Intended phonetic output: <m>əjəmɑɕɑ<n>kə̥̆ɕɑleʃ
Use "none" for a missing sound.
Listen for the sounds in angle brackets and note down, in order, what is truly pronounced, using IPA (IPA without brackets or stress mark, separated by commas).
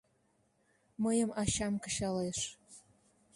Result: m, m